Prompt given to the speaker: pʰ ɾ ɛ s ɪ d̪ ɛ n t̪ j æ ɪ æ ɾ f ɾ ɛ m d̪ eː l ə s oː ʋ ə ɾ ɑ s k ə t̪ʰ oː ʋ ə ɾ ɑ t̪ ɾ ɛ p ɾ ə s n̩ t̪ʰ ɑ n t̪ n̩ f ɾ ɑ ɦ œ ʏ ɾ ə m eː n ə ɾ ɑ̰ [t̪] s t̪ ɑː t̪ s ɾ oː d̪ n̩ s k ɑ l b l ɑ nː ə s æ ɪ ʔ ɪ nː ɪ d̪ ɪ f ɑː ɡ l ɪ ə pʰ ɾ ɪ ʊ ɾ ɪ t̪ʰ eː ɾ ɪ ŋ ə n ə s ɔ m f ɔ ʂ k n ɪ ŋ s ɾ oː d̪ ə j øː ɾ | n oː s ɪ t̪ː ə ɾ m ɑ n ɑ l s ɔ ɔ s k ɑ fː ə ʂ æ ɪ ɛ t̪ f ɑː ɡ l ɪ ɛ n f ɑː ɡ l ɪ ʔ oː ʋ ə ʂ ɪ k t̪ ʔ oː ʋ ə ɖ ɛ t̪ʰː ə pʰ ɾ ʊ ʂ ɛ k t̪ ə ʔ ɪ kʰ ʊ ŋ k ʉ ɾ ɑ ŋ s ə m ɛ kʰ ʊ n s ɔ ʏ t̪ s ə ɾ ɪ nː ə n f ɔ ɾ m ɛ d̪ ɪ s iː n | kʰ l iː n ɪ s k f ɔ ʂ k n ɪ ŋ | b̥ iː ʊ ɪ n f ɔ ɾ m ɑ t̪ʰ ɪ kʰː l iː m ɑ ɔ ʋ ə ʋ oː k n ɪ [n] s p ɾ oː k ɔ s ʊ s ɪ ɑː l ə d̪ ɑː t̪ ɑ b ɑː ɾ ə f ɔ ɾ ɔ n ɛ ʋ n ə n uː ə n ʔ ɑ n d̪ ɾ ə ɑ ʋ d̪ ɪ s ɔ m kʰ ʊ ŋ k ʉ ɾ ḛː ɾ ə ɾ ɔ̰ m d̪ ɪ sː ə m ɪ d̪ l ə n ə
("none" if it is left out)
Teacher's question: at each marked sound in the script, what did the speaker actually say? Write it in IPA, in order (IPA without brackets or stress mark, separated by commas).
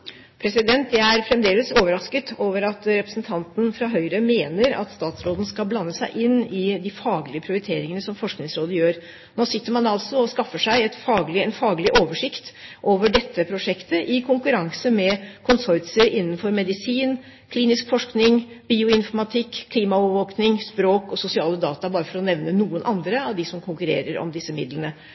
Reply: t̪, ŋ